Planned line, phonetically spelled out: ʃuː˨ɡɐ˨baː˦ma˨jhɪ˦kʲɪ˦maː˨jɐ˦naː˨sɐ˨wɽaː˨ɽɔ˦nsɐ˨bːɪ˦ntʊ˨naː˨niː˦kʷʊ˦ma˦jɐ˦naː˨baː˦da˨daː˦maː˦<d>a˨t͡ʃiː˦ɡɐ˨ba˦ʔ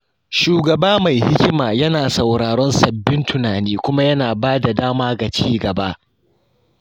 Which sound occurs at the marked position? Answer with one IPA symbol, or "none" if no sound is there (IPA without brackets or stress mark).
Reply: ɡ